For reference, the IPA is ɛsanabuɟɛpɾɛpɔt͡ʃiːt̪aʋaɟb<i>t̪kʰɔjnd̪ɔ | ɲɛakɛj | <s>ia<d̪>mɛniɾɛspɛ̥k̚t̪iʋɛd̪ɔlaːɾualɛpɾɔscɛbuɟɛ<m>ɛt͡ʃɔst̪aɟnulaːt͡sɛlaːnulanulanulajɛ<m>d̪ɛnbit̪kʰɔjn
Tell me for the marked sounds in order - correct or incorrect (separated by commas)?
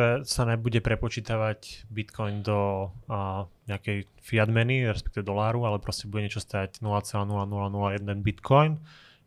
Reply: correct, incorrect, correct, incorrect, incorrect